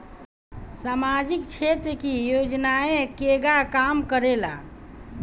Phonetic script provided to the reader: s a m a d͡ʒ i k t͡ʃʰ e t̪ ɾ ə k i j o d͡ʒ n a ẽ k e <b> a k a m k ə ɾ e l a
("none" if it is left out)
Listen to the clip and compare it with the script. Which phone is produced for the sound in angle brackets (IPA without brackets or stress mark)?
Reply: ɡ